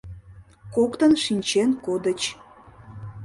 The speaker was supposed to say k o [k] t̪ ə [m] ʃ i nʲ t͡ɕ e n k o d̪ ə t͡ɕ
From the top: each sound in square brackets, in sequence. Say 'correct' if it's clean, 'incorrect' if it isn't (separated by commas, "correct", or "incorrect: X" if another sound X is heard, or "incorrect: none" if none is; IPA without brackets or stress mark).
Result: correct, incorrect: n